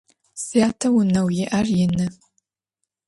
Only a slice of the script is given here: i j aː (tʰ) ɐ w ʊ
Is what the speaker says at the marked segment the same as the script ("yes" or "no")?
yes